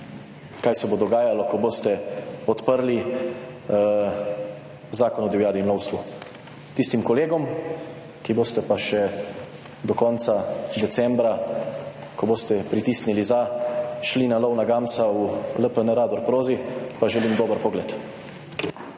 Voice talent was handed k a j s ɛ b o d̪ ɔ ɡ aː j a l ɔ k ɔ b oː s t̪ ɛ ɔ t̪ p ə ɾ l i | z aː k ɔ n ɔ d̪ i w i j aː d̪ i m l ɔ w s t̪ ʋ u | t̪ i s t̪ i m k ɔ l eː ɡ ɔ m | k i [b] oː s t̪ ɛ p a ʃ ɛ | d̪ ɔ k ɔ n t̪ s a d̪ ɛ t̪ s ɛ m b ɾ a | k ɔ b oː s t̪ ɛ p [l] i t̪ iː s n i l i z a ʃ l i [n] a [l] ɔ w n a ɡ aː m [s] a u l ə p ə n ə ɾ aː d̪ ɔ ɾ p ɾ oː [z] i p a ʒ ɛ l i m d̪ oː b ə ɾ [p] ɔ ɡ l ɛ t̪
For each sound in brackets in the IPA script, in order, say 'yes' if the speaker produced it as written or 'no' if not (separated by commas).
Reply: yes, no, yes, yes, yes, yes, yes